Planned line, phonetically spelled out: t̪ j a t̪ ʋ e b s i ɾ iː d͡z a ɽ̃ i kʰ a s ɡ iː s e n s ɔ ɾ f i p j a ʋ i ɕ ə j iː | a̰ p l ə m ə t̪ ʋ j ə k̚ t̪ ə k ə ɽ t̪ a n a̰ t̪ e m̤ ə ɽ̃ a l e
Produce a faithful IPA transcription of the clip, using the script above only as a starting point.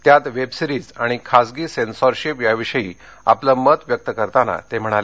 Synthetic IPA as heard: t̪ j a t̪ ʋ e b s i ɾ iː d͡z a ɽ̃ i kʰ a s ɡ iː s e n s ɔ ɾ ɕ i p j a ʋ i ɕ ə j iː | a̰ p l ə m ə t̪ ʋ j ə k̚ t̪ ə k ə ɾ t̪ a n a̰ t̪ e m̤ ə ɽ̃ a l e